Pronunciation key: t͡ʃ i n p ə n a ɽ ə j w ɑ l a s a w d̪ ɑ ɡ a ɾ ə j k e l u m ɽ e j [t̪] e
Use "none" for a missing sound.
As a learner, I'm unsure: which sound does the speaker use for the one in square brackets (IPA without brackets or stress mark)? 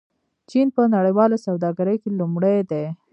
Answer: d̪